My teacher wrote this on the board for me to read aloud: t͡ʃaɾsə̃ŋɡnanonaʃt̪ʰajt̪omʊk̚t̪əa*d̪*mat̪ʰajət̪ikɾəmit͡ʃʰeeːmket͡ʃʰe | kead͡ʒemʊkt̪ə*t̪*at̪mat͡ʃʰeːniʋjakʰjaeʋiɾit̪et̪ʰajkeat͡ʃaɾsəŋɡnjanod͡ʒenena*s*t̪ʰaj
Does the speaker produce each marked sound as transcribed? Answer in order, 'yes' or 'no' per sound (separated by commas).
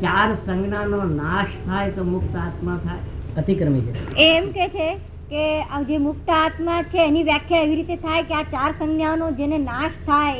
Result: no, no, no